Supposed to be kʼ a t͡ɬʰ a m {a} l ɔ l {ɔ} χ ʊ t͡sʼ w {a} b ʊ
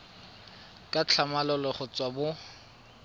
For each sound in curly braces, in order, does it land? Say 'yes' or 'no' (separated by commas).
yes, yes, yes